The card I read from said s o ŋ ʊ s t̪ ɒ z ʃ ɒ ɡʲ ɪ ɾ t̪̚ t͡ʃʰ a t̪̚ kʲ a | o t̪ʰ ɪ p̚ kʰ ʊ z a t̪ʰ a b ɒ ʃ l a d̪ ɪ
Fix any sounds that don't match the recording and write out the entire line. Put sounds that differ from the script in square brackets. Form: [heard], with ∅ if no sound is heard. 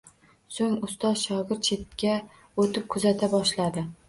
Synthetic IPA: s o ŋ ʊ s t̪ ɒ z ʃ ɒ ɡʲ ɪ ɾ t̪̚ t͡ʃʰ [e] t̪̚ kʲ a | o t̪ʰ ɪ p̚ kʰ ʊ z a t̪ʰ a b ɒ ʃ l a d̪ ɪ